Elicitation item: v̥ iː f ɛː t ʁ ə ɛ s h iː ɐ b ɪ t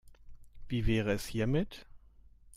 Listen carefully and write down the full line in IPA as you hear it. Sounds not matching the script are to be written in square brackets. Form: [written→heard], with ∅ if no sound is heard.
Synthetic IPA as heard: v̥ iː [f→v] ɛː [t→∅] ʁ ə ɛ s h iː ɐ [b→m] ɪ t